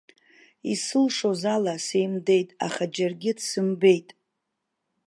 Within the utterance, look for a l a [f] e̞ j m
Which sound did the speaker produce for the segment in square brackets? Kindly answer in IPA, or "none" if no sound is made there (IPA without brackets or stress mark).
s